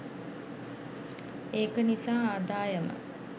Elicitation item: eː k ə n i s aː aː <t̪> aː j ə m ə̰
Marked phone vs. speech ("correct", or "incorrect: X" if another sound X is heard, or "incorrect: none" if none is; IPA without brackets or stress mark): incorrect: d̪